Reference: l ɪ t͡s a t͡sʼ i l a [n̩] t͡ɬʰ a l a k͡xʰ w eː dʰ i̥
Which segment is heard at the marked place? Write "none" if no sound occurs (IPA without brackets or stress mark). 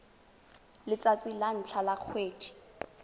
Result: n̩